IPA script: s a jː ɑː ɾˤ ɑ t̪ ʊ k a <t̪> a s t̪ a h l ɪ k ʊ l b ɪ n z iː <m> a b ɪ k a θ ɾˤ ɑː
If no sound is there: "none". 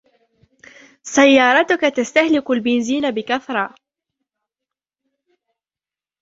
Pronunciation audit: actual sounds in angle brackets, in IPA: t̪, n

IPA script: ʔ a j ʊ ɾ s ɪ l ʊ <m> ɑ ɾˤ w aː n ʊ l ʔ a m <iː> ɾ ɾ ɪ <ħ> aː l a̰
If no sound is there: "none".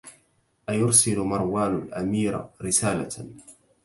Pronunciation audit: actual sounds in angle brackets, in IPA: m, iː, s

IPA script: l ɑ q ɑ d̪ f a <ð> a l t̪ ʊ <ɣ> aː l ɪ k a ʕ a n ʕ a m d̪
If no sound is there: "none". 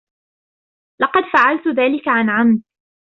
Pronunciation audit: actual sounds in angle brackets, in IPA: ʕ, ð

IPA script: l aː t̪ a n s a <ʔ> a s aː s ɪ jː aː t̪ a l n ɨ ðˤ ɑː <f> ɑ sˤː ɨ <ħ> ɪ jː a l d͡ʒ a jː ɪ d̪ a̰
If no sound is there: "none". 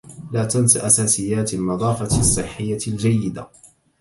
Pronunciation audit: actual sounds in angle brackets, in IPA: ʔ, f, ħː

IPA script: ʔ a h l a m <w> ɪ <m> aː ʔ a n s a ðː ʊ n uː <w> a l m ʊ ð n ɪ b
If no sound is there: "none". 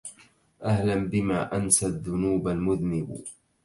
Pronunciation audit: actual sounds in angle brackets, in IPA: b, m, b

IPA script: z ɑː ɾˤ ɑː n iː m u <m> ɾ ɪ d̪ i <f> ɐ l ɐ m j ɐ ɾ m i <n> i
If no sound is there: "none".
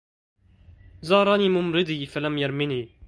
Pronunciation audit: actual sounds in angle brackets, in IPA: m, f, n

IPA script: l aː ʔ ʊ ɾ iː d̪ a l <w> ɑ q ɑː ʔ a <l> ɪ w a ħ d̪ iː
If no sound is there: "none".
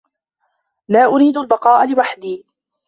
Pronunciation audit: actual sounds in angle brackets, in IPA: b, l

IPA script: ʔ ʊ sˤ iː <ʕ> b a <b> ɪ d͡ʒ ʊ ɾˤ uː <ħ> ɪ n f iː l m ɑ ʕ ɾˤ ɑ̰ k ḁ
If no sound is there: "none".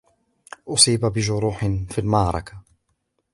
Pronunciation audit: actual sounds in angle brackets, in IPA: none, b, ħ

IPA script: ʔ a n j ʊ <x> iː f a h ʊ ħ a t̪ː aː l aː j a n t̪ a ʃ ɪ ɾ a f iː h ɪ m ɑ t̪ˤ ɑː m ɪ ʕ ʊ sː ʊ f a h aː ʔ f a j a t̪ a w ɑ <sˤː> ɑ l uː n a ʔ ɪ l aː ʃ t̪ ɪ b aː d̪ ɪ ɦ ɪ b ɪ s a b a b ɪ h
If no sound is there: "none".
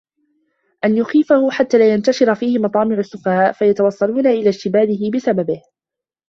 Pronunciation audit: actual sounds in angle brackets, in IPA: x, sˤː

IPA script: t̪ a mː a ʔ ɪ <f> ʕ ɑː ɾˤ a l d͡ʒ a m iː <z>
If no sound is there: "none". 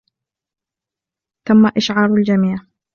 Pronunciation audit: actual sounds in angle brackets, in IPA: ʃ, ʕ

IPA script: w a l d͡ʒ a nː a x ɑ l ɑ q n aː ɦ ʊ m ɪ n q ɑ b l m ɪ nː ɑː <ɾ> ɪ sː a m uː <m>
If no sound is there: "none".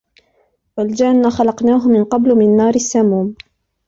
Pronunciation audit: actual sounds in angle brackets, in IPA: ɾ, m

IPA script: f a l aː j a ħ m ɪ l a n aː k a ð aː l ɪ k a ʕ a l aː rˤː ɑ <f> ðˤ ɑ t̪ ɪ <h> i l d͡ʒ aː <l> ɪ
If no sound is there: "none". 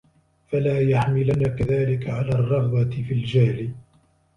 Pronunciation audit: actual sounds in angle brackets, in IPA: f, f, l

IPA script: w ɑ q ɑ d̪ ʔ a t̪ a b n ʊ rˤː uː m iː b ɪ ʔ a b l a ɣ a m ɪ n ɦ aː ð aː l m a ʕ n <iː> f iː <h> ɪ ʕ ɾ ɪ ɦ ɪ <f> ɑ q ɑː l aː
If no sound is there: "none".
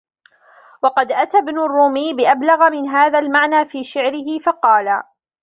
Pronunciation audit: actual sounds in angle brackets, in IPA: aː, ʃ, f

